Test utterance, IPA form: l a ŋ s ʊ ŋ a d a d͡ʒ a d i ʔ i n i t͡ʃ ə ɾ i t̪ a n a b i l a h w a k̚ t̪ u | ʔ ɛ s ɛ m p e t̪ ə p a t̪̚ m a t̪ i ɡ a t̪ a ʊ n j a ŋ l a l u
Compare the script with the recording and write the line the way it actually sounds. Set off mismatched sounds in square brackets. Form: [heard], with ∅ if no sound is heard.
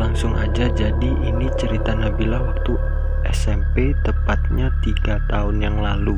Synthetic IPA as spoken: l a ŋ s ʊ ŋ a [d͡ʒ] a d͡ʒ a d i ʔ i n i t͡ʃ ə ɾ i t̪ a n a b i l a h w a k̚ t̪ u | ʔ ɛ s ɛ m p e t̪ ə p a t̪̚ [ɲ] a t̪ i ɡ a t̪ a ʊ n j a ŋ l a l u